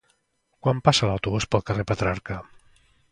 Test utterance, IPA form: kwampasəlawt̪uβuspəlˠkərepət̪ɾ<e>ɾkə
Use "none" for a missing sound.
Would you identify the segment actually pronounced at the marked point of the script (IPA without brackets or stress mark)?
a